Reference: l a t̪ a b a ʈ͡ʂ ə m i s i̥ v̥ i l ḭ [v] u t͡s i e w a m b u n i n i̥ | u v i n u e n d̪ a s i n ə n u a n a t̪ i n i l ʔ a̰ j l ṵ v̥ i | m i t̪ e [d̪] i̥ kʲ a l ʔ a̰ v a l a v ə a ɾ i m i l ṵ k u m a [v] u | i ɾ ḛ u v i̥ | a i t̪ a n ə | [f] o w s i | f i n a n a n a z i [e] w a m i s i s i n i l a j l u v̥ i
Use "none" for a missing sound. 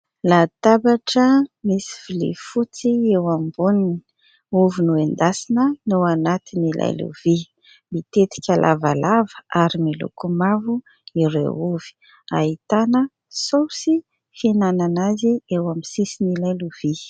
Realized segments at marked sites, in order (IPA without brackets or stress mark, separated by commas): f, t̪, v, s, e